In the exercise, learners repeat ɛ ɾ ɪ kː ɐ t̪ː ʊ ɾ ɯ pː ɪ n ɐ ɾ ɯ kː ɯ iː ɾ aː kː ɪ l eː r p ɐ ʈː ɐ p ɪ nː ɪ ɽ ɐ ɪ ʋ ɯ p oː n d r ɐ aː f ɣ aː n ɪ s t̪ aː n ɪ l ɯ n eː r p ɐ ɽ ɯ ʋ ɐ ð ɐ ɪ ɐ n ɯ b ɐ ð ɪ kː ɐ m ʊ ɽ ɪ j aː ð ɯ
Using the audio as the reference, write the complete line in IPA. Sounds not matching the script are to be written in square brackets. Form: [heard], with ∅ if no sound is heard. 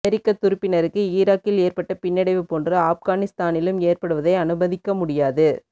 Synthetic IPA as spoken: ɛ ɾ ɪ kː ɐ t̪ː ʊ ɾ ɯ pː ɪ n ɐ ɾ ɯ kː ɯ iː ɾ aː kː ɪ l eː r p ɐ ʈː ɐ p ɪ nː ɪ ɽ ɐ ɪ ʋ ɯ p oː n d r ɐ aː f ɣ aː n ɪ s t̪ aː n ɪ l ɯ [m] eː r p ɐ ɽ ɯ ʋ ɐ ð ɐ ɪ ɐ n ɯ b ɐ ð ɪ kː ɐ m ʊ ɽ ɪ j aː ð ɯ